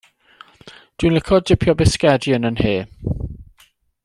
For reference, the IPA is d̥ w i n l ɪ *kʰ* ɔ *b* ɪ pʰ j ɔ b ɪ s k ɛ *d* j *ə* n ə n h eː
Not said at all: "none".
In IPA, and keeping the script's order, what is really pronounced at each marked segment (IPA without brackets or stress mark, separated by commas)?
kʰ, d, d, ə